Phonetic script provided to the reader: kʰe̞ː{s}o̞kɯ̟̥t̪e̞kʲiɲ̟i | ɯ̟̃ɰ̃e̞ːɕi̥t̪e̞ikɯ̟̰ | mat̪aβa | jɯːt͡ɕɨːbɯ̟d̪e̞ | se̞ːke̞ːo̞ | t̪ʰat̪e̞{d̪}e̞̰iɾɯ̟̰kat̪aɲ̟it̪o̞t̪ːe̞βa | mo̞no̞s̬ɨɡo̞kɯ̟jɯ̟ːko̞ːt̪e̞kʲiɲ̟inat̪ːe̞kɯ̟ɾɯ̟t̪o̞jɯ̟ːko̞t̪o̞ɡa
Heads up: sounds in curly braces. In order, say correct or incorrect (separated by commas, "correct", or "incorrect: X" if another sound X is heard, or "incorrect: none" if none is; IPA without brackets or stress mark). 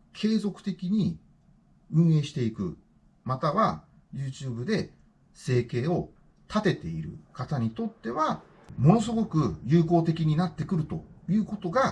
incorrect: z, incorrect: t̪